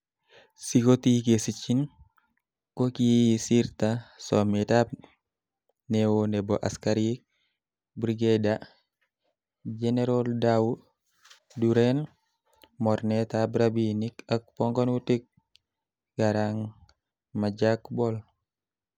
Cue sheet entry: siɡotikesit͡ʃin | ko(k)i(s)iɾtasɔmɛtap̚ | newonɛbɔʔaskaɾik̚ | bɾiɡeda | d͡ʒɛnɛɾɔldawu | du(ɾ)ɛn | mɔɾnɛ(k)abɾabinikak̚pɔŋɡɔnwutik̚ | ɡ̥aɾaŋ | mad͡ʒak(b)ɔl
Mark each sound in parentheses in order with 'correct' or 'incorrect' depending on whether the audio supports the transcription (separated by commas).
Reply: correct, correct, correct, incorrect, correct